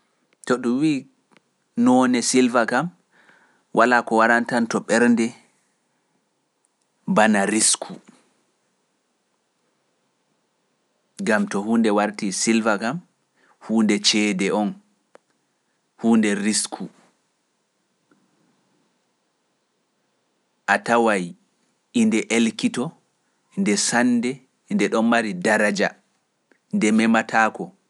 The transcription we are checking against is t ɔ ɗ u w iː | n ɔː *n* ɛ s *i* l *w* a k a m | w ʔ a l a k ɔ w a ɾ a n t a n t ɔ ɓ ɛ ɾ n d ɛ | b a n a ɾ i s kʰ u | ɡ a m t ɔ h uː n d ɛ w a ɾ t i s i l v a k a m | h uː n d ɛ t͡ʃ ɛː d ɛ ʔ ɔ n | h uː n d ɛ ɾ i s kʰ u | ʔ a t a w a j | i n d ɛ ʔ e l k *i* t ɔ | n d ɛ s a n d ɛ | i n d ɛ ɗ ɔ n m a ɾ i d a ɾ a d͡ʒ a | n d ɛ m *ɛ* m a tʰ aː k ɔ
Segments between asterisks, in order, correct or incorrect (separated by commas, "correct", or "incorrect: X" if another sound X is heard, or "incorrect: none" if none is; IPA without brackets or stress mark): correct, correct, incorrect: v, correct, correct